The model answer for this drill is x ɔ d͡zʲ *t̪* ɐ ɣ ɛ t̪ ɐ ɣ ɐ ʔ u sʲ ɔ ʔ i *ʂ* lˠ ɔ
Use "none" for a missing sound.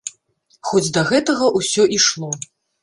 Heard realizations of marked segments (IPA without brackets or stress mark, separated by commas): d̪, ʂ